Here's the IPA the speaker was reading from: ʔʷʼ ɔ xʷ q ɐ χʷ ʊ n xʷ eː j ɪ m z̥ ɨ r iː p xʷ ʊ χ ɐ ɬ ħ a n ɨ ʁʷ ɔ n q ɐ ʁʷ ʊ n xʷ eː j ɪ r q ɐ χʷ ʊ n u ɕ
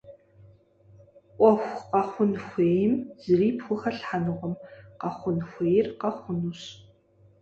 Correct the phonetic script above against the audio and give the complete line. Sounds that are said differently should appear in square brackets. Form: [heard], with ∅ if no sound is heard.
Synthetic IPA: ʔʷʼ ɔ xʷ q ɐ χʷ ʊ n xʷ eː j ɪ m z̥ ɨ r iː p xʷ ʊ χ ɐ ɬ ħ a n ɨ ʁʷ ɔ [m] q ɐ [χʷ] ʊ n xʷ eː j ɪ r q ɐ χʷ ʊ n u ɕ